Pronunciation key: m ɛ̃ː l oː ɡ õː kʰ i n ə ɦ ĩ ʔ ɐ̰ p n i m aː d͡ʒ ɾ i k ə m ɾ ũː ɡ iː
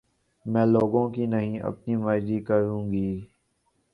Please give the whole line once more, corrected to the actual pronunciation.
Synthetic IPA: m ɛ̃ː l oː ɡ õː k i n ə ɦ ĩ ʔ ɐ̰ p n i m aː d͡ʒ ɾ i k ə ɾ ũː ɡ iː